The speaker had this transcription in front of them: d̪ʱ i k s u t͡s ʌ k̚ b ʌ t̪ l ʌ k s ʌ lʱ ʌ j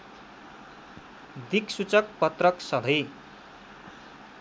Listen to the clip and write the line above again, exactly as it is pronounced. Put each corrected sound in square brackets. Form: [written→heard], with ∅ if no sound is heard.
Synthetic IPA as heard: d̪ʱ i k s u t͡s ʌ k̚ [b→p] ʌ t̪ [l→r] ʌ k s ʌ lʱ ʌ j